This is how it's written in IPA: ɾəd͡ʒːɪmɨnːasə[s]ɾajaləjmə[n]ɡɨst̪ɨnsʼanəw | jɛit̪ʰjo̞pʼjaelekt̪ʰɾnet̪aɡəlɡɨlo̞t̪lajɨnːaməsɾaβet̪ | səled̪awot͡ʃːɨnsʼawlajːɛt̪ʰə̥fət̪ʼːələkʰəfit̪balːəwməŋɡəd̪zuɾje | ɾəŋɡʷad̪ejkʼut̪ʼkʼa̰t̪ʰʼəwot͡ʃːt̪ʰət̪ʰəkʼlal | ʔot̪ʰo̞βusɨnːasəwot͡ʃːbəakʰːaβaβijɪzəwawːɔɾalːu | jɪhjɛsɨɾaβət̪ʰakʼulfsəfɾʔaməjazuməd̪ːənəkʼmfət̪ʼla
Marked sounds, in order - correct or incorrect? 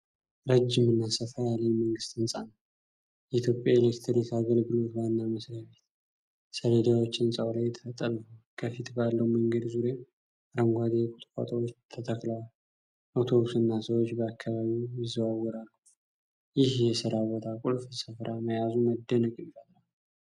incorrect, incorrect

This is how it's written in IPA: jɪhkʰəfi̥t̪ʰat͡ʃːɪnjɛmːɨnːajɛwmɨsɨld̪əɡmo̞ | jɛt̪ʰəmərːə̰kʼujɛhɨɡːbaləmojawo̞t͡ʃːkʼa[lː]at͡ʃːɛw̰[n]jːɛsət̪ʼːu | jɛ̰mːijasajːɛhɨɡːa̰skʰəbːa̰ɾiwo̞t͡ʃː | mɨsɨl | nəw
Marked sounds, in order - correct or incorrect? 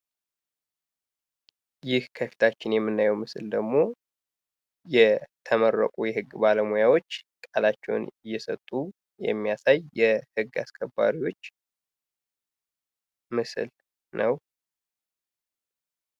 incorrect, correct

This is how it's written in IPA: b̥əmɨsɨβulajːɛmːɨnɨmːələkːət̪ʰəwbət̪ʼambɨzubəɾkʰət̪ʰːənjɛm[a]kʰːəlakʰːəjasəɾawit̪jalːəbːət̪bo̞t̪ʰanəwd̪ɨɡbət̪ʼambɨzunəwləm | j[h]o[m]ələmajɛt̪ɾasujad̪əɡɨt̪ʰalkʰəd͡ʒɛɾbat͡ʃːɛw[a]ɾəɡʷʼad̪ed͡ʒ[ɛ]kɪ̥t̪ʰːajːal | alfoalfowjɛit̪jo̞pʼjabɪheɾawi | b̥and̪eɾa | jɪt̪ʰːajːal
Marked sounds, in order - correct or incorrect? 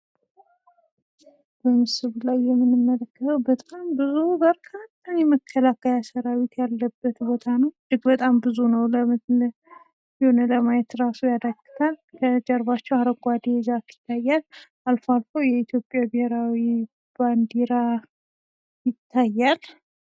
incorrect, correct, incorrect, correct, incorrect

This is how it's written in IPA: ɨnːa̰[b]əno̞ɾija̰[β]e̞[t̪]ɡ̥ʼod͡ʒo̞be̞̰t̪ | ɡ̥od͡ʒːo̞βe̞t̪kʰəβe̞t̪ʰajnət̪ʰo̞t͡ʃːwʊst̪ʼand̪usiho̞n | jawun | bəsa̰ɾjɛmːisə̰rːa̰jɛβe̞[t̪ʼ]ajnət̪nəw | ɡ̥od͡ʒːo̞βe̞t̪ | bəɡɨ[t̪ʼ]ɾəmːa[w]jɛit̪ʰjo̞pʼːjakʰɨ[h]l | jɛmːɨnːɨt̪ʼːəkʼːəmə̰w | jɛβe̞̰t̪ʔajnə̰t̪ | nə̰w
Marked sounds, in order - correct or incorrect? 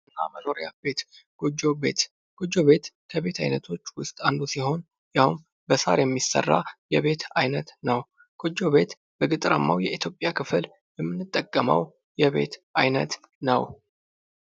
incorrect, incorrect, correct, incorrect, correct, correct, incorrect

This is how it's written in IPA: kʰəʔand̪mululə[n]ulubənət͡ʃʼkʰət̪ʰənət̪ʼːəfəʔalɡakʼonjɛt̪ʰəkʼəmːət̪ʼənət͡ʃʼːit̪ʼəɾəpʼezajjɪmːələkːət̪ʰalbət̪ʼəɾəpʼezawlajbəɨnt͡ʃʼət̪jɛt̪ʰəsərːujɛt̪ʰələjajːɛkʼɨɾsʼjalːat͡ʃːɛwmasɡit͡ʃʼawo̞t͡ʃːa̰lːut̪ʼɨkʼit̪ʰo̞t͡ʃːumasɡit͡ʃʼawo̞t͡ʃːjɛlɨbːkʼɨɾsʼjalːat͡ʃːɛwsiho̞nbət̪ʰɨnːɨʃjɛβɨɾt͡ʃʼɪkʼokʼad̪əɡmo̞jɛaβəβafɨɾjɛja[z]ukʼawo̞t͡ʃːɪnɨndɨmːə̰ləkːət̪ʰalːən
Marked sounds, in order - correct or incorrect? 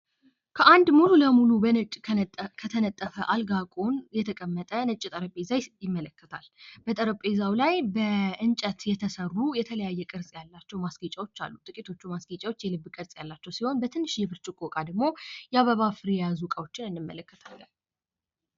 incorrect, correct

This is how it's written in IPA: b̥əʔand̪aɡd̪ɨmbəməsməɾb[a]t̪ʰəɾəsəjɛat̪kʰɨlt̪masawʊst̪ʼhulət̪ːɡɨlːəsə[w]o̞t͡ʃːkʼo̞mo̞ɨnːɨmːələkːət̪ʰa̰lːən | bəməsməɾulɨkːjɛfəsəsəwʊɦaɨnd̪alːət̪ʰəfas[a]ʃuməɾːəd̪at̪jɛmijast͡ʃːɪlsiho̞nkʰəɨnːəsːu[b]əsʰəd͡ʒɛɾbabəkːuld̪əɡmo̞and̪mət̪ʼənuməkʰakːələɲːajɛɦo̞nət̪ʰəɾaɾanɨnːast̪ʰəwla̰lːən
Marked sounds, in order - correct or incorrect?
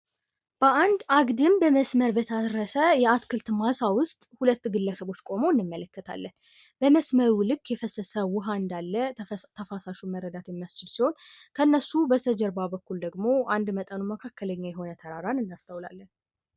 incorrect, incorrect, correct, correct

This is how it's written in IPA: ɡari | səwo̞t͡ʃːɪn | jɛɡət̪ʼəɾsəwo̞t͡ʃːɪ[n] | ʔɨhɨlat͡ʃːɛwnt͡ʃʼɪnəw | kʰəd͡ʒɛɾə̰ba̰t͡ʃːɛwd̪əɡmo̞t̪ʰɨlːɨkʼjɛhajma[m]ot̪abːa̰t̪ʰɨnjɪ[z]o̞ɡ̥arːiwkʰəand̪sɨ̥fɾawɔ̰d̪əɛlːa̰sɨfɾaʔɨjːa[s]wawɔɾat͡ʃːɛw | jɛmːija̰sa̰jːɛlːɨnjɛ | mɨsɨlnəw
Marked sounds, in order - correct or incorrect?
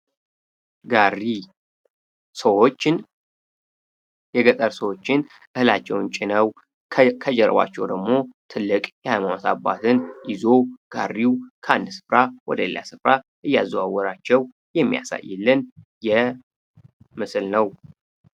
correct, incorrect, correct, incorrect

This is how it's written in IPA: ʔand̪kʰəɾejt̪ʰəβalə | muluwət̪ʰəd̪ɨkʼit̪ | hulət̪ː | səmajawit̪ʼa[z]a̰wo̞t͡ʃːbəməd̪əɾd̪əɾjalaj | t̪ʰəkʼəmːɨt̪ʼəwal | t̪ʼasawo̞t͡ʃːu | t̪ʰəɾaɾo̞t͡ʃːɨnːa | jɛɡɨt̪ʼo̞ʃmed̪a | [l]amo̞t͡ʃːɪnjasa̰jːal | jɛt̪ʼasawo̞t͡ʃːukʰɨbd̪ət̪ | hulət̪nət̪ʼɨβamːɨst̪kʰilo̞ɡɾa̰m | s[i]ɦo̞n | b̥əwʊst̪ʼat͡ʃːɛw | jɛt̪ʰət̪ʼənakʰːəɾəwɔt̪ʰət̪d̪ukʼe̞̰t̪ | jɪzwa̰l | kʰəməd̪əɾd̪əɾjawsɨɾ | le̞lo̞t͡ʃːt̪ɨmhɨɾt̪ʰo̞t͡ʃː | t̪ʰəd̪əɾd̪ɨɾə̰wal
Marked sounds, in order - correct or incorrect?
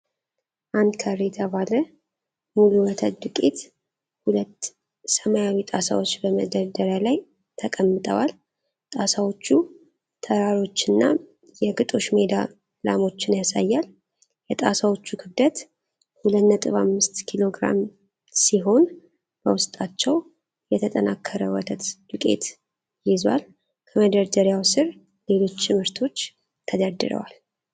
incorrect, correct, correct

